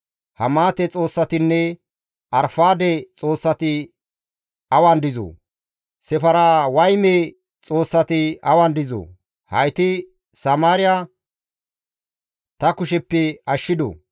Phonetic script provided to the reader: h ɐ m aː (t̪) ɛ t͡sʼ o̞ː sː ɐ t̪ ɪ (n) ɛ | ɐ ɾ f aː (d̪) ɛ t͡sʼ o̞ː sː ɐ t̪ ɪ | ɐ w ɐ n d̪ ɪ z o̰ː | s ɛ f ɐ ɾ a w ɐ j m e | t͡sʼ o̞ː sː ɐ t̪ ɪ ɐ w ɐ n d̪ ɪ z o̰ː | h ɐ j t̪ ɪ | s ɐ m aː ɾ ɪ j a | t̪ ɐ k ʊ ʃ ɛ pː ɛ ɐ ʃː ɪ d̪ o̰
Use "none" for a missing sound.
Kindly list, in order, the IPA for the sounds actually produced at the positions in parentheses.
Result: t̪, nː, d̪

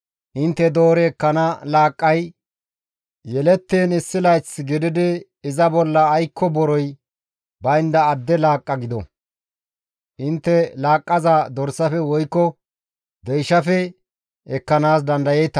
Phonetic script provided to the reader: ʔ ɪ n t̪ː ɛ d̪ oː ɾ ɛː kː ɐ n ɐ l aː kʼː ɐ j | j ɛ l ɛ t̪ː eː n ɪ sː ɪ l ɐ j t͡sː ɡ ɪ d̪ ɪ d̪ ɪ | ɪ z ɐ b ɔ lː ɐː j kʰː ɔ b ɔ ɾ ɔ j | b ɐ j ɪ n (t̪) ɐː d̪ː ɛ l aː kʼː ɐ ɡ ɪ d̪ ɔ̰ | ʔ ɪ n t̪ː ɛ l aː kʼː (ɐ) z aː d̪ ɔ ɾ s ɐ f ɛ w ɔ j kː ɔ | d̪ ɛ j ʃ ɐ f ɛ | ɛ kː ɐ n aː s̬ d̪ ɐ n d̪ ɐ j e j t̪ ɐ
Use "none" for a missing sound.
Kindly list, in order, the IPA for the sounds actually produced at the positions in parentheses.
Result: d̪, ɐ

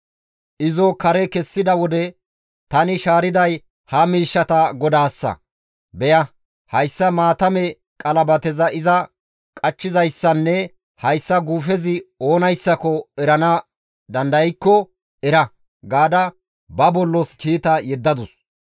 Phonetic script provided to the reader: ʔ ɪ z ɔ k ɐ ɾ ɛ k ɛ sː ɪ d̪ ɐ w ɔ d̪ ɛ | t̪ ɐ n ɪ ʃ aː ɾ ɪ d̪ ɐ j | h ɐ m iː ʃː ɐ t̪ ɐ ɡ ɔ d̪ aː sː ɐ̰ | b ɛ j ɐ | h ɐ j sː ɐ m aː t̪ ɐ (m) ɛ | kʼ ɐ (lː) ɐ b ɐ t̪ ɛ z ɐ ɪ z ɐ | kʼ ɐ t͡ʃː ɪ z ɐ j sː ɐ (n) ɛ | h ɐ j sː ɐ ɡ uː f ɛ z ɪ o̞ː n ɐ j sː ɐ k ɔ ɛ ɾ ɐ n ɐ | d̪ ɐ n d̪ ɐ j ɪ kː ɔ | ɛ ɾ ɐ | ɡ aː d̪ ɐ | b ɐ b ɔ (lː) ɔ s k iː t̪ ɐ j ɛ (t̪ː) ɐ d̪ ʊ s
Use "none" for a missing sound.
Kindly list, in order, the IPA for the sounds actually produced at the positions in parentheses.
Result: m, l, nː, lː, d̪ː

